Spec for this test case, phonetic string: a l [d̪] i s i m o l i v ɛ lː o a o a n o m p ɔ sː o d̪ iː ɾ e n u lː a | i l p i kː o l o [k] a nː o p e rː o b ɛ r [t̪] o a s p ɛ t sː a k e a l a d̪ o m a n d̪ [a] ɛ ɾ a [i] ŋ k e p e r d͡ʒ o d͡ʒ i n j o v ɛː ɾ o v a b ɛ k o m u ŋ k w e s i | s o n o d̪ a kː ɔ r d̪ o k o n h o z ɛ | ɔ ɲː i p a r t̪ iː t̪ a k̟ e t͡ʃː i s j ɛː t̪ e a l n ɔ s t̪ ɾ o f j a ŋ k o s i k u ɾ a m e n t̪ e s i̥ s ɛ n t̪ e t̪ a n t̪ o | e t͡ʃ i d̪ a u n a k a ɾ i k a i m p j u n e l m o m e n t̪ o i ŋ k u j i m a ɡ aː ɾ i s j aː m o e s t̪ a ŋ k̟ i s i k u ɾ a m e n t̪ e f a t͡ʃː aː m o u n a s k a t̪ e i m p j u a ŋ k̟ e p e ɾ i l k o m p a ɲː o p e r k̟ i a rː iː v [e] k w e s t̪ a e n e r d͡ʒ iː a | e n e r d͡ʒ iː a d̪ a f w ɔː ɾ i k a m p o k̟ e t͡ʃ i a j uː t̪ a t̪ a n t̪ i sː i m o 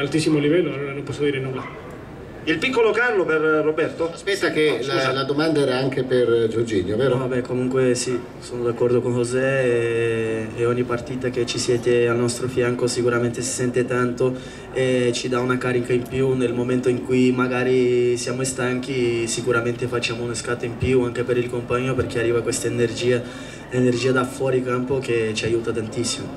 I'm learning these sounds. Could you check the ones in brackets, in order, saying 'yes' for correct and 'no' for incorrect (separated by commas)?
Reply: no, yes, yes, yes, no, no